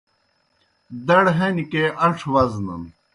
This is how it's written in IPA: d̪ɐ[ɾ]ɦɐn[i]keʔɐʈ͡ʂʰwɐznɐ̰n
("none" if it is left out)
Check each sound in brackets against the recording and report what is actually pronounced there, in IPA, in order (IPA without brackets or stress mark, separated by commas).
ɽ, i